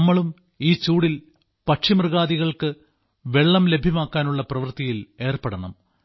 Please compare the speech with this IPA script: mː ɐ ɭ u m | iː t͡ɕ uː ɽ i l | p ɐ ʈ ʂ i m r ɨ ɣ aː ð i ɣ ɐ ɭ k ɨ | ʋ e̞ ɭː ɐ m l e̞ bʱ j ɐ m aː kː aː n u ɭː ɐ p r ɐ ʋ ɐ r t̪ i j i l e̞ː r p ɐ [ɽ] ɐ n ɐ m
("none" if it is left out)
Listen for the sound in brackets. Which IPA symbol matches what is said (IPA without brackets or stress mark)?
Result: ɽ